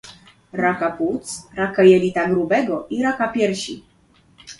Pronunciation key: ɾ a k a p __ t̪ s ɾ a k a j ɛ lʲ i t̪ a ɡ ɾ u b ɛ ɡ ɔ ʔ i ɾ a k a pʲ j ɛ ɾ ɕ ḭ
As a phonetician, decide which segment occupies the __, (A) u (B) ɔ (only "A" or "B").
A